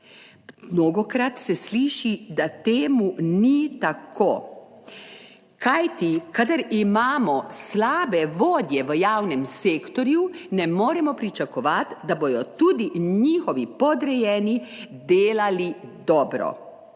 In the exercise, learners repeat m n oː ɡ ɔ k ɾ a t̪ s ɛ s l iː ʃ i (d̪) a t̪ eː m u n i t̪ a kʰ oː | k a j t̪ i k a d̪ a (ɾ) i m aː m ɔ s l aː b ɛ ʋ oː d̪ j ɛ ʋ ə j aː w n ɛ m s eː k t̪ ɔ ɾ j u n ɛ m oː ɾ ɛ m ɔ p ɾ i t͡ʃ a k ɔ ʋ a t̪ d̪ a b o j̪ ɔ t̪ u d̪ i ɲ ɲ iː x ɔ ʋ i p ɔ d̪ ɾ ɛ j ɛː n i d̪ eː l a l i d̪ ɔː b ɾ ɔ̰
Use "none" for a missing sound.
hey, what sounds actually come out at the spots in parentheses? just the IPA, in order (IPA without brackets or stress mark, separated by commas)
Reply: d̪, ɾ